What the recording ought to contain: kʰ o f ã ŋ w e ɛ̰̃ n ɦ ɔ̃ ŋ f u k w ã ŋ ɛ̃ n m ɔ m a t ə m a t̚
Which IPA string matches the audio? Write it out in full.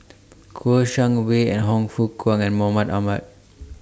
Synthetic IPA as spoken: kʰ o ʃ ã ŋ w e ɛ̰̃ n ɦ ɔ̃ ŋ f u k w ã ŋ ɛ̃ n m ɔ m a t a m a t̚